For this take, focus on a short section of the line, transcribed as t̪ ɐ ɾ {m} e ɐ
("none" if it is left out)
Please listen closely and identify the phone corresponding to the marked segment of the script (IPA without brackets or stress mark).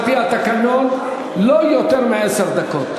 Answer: m